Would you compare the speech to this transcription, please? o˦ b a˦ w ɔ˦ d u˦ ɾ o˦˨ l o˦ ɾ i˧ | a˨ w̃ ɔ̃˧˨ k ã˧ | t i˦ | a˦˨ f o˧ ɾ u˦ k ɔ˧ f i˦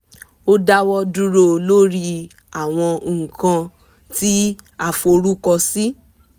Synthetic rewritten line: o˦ d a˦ w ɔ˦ d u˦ ɾ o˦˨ l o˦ ɾ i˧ | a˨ w̃ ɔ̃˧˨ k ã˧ | t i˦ | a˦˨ f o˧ ɾ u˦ k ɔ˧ s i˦

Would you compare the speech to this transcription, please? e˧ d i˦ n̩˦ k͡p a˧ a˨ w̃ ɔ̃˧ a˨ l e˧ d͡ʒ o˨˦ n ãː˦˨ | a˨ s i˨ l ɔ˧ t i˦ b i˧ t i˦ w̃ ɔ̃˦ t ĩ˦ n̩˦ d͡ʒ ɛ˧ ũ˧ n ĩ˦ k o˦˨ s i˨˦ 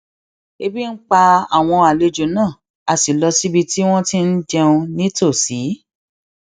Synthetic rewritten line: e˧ b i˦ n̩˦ k͡p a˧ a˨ w̃ ɔ̃˧ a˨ l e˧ d͡ʒ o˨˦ n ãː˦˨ | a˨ s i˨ l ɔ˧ s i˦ b i˧ t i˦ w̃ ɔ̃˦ t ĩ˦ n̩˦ d͡ʒ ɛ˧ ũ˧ n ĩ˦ t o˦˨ s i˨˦

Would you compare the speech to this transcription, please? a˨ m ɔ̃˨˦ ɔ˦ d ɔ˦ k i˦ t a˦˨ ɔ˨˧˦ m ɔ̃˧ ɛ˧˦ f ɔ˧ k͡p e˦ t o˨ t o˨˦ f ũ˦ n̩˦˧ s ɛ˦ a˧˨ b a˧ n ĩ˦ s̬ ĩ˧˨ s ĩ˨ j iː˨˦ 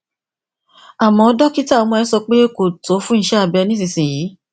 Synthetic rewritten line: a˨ m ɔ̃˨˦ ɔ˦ d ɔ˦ k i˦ t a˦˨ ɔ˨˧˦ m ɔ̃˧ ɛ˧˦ s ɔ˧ k͡p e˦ k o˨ t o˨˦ f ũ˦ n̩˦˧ ʃ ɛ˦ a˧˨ b ɛ˧ n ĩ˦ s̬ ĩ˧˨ s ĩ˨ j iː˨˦

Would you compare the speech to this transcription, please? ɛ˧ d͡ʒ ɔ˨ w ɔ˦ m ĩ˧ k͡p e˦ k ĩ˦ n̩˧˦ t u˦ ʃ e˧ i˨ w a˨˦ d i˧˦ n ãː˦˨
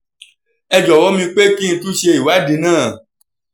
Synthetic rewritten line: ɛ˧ d͡ʒ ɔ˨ w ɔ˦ m ĩ˧ k͡p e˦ k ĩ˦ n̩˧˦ t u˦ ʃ e˧ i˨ w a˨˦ d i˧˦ n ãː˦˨

